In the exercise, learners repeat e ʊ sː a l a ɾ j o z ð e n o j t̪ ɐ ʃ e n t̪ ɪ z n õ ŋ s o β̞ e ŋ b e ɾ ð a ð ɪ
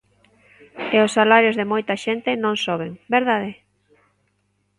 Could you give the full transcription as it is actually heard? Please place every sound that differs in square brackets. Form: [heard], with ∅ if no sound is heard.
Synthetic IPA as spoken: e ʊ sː a l a ɾ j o z ð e [m] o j t̪ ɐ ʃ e n t̪ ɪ [∅] n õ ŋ s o β̞ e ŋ b e ɾ ð a ð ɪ